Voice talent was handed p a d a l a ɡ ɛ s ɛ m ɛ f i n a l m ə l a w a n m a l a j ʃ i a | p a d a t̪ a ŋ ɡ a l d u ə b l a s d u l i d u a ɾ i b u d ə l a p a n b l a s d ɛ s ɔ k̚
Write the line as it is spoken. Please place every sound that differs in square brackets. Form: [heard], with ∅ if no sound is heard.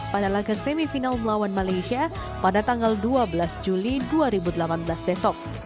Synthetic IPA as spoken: p a d a l a ɡ [a] s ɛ m [i] f i n a l m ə l a w a n m a l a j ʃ i a | p a d a t̪ a ŋ ɡ a l d u [a] b l a s [d͡ʒ] u l i d u a ɾ i b u d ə l a p a n b l a s [b] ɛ s ɔ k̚